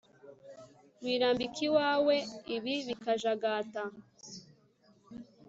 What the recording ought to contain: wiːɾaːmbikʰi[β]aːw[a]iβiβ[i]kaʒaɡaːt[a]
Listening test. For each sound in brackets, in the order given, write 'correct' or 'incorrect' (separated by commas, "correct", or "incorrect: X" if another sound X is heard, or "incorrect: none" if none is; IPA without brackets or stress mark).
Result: incorrect: w, incorrect: e, correct, correct